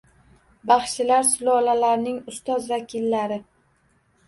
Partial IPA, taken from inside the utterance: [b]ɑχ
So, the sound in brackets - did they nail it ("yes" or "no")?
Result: yes